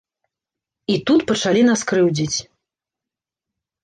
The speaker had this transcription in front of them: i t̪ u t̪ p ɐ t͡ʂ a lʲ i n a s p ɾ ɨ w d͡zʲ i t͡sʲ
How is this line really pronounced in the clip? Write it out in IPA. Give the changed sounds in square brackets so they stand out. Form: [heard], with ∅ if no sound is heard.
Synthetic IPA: i t̪ u t̪ p ɐ t͡ʂ a lʲ i n a s [k] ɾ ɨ w d͡zʲ i t͡sʲ